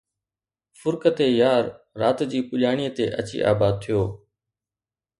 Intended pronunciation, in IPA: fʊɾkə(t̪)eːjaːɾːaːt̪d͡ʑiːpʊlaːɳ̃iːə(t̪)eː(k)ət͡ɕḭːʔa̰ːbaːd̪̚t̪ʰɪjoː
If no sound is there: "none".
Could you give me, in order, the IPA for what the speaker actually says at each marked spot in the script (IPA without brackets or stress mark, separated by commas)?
t̪, t̪, ʔ